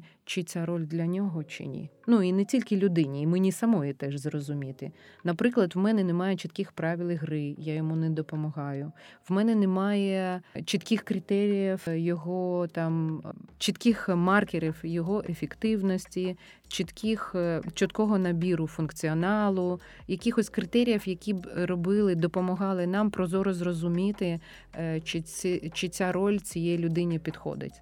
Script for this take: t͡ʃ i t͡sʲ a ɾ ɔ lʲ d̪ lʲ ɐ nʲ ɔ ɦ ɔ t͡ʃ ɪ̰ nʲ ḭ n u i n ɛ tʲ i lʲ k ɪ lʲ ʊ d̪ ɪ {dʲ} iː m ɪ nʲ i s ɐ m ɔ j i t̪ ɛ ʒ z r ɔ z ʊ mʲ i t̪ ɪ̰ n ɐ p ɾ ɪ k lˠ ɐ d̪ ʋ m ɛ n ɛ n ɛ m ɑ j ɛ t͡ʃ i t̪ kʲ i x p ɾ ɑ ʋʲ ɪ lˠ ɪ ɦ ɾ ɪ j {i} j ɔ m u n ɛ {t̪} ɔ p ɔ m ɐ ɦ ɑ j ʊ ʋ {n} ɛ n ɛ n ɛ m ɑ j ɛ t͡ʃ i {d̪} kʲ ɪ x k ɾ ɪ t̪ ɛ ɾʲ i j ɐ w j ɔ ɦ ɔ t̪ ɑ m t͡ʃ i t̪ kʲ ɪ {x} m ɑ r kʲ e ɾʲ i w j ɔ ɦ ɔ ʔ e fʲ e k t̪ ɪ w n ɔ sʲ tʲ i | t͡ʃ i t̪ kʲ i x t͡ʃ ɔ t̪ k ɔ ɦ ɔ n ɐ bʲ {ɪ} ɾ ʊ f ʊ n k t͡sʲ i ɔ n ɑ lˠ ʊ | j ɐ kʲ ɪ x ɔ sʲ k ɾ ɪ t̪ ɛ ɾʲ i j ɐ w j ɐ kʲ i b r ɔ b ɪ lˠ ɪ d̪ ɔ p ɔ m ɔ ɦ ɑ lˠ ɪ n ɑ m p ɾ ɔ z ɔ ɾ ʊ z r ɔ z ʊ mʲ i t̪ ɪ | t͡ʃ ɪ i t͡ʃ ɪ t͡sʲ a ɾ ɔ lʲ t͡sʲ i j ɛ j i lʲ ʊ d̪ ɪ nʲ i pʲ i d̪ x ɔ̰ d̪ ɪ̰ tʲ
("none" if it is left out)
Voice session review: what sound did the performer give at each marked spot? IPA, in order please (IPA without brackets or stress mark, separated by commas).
nʲ, a, d̪, m, t̪, x, i